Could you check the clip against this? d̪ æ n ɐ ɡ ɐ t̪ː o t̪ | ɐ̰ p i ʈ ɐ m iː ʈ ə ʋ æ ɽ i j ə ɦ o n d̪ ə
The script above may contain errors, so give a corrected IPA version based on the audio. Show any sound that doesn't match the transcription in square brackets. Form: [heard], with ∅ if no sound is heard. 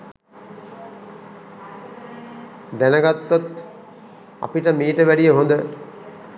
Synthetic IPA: d̪ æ n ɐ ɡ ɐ t̪ː o t̪ | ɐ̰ p i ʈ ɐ m iː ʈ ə ʋ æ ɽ i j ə ɦ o n d̪ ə